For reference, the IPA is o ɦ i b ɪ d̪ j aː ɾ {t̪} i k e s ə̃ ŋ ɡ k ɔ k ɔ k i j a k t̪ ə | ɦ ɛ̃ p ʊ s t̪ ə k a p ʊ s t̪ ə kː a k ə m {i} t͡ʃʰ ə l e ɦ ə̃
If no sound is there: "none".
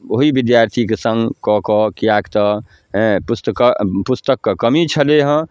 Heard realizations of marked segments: t̪ʰ, i

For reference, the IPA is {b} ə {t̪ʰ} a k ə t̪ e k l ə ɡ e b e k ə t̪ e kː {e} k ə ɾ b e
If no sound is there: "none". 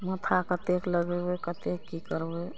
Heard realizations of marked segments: m, t̪ʰ, i

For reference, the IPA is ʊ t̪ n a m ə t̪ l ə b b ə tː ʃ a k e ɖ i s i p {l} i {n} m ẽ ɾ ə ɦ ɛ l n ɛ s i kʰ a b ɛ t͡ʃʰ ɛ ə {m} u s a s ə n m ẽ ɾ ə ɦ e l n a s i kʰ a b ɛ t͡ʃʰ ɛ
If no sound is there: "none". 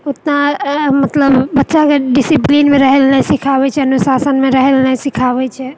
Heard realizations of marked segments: l, n, n

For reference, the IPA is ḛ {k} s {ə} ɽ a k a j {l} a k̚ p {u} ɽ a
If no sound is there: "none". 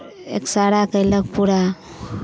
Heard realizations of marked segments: k, a, l, u

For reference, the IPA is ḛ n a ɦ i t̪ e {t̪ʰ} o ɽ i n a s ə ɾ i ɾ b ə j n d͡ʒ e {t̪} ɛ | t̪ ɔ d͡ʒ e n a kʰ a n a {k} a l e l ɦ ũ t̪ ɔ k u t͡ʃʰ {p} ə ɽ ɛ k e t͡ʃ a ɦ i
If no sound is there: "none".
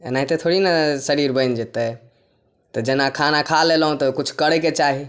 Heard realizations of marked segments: t̪ʰ, t̪, kʰ, k

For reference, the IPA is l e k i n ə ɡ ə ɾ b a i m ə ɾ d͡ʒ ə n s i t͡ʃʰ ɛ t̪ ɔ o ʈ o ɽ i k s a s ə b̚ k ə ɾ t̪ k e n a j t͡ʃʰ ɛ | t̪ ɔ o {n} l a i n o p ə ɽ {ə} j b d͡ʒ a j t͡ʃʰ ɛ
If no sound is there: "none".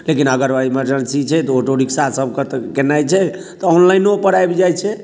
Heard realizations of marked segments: n, a

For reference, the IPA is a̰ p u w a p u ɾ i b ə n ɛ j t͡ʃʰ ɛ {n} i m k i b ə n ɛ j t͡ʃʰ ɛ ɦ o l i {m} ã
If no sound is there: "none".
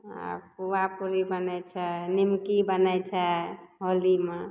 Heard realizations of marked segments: n, m

